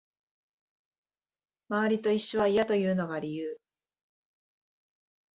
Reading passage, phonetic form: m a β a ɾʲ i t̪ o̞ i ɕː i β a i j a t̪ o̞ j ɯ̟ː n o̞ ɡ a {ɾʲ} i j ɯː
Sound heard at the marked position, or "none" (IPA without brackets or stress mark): ɾʲ